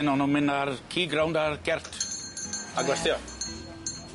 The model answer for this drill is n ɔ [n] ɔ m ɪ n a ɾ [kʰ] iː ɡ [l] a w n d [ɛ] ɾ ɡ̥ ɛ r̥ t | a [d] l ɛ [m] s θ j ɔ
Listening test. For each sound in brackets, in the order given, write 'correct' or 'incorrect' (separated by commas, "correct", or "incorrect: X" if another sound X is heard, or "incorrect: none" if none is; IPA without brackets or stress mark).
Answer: correct, correct, incorrect: ɾ, incorrect: a, incorrect: ɡ, incorrect: none